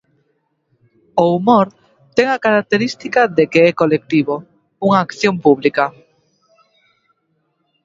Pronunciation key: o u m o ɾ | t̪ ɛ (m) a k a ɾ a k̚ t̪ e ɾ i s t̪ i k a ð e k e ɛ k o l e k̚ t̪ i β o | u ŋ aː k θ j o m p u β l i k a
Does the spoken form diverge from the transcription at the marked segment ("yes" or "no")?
yes